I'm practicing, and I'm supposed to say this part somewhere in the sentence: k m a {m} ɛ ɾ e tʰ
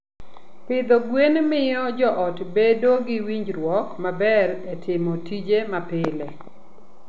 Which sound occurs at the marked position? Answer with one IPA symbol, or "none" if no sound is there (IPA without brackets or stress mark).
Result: b